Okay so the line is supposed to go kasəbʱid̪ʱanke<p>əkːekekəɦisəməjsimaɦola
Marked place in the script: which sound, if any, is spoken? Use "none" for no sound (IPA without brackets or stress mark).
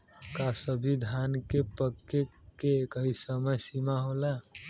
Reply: p